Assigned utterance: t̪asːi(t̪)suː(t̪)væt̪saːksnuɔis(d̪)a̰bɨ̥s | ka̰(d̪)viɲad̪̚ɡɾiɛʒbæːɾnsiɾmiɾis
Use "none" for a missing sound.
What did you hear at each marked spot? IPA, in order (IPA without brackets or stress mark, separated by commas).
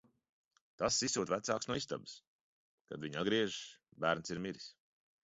none, t̪, t̪, d̪